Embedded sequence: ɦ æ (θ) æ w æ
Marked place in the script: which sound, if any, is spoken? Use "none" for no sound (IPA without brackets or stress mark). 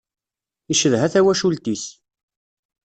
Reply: θ